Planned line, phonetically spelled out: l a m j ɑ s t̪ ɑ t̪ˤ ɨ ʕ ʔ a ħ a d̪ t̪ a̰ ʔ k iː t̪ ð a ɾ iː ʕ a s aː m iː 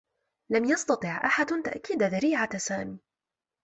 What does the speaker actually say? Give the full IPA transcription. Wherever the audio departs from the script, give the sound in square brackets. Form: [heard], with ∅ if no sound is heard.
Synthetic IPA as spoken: l a m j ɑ s t̪ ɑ t̪ˤ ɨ ʕ ʔ a ħ a d̪ t̪ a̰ ʔ k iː [d̪] ð a ɾ iː ʕ a s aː m iː